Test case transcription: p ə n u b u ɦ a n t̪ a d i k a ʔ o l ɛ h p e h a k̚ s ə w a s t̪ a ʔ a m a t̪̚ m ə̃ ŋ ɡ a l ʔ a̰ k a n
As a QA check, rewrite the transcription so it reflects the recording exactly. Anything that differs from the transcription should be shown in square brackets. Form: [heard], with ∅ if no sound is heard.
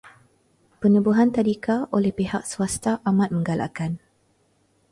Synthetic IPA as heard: p ə n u b u ɦ a n t̪ a d i k a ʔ o l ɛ h p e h a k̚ s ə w a s t̪ a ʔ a m a t̪̚ m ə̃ ŋ ɡ a l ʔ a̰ k a n